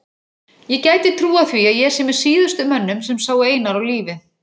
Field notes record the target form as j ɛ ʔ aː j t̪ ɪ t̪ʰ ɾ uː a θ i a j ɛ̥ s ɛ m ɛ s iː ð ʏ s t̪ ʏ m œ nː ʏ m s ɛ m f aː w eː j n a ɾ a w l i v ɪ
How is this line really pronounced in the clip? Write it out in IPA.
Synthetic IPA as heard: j ɛ c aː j t̪ ɪ t̪ʰ ɾ uː a θ i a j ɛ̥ s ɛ m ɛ s iː ð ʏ s t̪ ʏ m œ nː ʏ m s ɛ m s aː w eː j n a ɾ a w l iː v ɪ